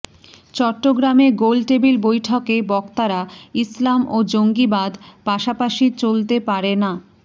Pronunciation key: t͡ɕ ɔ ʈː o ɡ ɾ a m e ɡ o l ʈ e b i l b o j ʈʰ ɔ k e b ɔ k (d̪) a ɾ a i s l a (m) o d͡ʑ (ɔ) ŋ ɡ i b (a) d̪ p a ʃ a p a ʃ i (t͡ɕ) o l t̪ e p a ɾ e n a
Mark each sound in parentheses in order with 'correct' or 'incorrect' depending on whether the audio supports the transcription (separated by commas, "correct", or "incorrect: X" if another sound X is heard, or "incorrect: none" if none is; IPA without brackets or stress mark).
incorrect: t̪, correct, incorrect: o, correct, correct